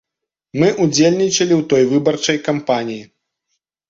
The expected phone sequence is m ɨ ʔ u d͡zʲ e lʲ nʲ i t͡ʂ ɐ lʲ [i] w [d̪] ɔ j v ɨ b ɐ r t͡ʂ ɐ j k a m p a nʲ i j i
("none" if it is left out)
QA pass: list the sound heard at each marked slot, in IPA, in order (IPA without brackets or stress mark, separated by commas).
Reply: i, t̪